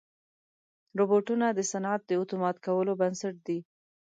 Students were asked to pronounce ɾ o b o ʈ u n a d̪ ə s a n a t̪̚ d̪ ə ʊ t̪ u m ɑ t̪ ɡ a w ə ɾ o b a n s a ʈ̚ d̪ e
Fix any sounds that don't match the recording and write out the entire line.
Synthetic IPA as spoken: ɾ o b o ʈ u n a d̪ ə s a n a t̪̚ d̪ ə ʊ t̪ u m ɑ t̪ k a w ə l o b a n s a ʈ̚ d̪ i